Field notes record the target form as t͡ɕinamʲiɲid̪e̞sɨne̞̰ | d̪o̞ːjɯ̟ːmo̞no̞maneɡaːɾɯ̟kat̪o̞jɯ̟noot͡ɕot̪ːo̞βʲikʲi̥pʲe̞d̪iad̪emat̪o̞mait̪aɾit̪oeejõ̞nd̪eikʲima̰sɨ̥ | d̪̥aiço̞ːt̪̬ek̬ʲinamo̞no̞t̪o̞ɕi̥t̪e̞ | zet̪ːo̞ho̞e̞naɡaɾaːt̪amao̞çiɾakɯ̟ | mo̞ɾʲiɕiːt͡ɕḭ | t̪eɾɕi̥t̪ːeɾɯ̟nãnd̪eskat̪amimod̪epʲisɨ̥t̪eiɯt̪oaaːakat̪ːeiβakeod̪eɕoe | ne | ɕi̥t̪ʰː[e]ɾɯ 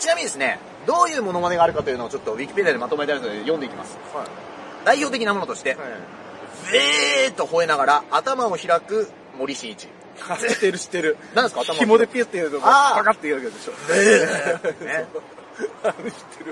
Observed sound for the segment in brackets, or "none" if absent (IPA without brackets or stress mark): e